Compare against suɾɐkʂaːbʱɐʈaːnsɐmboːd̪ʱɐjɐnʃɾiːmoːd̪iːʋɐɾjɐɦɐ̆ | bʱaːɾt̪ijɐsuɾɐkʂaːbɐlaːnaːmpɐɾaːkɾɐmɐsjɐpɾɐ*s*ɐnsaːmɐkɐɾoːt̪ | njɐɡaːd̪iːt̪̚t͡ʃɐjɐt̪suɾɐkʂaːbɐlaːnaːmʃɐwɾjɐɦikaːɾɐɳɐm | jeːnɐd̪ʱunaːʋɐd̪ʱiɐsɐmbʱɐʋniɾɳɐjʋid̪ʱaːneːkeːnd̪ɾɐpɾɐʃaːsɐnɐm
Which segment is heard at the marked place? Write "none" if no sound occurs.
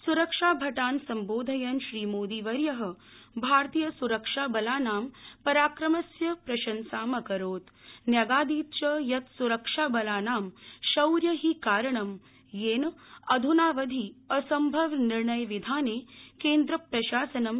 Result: ʃ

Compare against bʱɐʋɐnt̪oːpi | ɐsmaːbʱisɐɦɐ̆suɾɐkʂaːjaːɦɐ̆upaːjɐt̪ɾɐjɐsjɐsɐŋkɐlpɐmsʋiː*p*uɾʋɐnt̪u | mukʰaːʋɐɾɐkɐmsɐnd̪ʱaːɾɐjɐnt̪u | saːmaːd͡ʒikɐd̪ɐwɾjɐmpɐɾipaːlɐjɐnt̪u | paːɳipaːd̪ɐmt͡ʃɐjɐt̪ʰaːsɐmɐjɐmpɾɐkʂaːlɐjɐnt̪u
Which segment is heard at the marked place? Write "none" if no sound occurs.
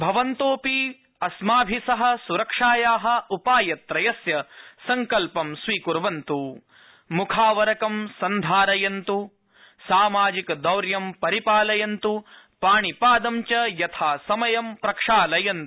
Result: k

